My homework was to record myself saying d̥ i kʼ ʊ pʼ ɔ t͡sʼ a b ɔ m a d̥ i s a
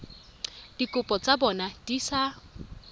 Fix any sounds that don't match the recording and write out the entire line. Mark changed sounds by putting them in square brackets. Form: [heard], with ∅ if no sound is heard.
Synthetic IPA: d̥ i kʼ ʊ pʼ ɔ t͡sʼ a b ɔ [n] a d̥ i s a